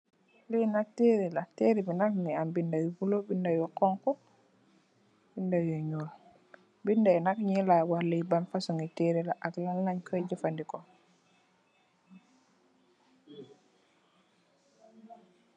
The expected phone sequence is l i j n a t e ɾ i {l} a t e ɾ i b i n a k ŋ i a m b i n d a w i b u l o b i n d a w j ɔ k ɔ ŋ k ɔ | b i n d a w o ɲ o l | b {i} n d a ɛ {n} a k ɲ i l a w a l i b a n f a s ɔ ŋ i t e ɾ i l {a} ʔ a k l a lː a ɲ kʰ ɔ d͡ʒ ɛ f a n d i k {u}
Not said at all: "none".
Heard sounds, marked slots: l, i, n, a, ɔ

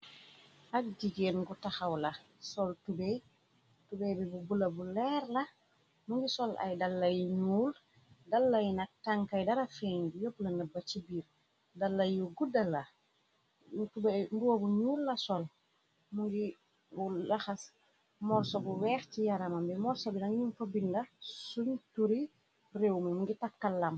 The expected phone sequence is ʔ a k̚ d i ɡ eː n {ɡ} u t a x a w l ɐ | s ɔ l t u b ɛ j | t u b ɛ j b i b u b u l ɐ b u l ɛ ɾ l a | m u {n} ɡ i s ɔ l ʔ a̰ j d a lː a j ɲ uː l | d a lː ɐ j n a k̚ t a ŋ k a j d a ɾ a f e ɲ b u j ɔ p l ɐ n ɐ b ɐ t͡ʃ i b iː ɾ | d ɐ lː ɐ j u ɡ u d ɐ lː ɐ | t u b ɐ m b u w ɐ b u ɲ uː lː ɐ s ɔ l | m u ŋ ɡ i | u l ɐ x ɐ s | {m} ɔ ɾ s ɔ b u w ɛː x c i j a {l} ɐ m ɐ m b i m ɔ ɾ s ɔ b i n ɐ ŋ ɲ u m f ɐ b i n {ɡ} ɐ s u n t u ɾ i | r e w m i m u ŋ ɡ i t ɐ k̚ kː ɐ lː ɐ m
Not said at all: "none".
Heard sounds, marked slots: ɡ, ŋ, m, ɾ, d

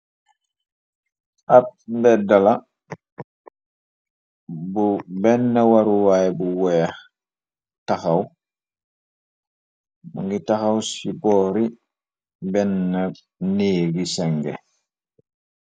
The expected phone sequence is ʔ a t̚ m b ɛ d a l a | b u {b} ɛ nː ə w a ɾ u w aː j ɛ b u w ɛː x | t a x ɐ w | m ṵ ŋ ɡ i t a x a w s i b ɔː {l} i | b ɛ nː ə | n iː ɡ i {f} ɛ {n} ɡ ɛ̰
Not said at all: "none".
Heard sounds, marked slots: b, ɾ, s, ŋ

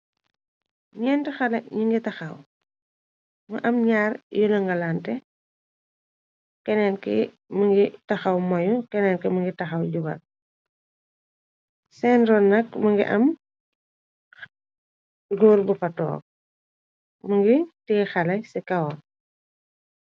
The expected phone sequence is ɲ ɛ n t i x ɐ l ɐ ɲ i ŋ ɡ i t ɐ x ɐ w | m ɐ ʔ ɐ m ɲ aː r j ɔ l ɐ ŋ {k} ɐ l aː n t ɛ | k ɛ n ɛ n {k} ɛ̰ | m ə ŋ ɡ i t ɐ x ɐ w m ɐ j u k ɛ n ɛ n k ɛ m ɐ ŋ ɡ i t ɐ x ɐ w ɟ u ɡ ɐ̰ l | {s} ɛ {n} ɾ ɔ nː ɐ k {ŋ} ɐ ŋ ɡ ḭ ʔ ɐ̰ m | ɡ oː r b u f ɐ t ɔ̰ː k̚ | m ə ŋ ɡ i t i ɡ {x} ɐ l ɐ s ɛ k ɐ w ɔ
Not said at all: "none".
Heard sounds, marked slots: ɡ, k, s, n, m, x

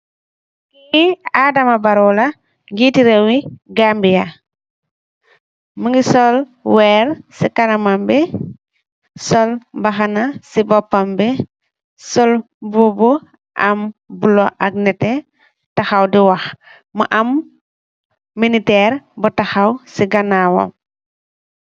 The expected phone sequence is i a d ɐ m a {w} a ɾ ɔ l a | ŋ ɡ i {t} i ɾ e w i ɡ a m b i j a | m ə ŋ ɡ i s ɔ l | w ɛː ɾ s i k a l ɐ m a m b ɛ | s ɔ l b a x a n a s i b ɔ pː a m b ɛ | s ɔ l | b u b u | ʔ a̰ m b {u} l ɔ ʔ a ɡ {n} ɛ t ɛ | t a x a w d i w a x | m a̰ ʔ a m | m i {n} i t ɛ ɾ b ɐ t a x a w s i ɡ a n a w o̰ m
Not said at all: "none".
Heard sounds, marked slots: b, t, u, n, n

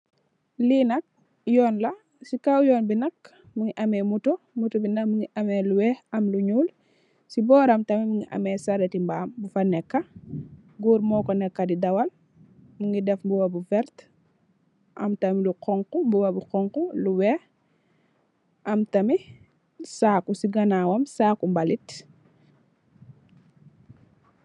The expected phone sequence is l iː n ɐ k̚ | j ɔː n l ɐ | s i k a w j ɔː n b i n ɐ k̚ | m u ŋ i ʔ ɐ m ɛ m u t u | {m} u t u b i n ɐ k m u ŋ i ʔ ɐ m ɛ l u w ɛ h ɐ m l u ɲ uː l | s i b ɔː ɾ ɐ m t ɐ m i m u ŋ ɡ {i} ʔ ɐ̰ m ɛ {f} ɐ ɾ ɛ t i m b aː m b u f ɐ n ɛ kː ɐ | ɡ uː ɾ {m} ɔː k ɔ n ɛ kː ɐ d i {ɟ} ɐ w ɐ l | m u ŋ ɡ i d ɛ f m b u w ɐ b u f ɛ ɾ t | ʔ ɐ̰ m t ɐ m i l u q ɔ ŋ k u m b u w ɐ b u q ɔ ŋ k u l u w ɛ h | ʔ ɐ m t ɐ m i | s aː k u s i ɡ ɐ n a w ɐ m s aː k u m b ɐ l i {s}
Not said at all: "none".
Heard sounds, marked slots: m, i, s, m, d, t

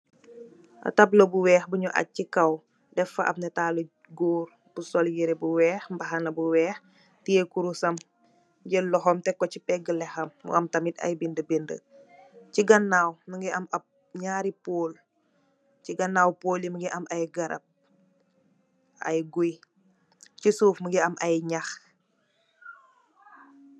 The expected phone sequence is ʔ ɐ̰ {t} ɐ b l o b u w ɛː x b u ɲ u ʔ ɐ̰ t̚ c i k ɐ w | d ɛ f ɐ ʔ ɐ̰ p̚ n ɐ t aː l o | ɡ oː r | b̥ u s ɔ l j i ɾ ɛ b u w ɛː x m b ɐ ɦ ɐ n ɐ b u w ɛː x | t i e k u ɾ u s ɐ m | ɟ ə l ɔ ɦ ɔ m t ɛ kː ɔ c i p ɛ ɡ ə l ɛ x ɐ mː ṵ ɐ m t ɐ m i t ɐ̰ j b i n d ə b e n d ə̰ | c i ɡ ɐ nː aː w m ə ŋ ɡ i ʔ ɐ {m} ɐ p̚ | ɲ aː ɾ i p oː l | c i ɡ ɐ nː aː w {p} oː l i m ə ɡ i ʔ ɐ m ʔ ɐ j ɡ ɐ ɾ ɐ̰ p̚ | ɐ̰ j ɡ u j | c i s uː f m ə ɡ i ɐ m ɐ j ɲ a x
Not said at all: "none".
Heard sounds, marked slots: t, m, p

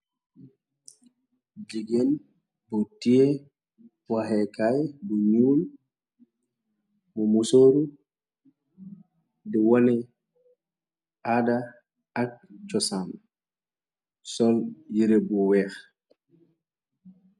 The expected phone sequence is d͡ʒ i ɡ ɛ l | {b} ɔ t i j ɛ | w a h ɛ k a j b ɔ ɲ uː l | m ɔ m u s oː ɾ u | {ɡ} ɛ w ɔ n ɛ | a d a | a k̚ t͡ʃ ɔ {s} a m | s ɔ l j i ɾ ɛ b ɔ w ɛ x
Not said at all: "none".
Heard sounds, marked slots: b, d, s

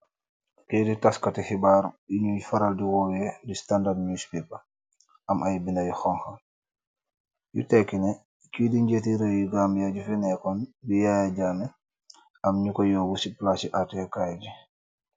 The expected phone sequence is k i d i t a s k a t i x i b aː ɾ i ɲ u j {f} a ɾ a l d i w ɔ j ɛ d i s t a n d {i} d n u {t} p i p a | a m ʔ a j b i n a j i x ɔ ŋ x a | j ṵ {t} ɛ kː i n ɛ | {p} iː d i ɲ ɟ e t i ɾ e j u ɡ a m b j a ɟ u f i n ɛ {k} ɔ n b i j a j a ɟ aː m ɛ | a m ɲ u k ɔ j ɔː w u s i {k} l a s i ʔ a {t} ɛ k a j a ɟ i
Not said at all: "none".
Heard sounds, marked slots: f, a, s, t, k, k, p, t

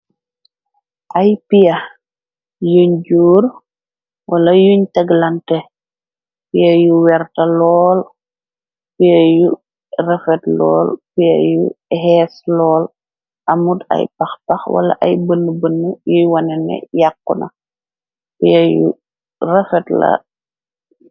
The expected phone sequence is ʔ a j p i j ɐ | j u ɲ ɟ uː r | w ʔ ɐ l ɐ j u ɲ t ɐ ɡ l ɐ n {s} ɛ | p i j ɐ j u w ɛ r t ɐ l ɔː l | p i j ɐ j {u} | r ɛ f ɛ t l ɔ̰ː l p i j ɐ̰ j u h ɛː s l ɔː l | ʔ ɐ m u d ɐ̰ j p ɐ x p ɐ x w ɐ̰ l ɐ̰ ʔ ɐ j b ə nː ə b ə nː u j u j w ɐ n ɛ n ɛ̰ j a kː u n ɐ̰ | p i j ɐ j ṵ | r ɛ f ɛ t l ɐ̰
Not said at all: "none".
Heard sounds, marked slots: t, u

